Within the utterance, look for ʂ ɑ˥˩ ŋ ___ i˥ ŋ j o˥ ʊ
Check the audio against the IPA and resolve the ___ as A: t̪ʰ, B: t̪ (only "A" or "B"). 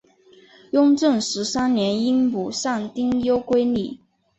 B